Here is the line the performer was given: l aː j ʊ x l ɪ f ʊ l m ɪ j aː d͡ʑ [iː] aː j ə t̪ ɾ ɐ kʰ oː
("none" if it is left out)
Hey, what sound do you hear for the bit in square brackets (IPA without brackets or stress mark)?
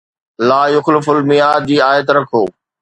iː